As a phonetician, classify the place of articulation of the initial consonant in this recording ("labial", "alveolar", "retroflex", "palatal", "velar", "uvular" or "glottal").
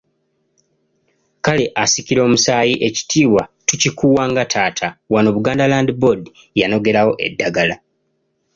velar